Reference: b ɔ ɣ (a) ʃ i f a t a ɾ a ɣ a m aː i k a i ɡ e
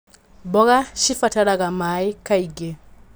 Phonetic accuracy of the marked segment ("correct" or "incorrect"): correct